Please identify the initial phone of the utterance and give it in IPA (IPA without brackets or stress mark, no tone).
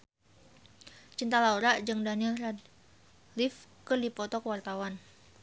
t͡ʃ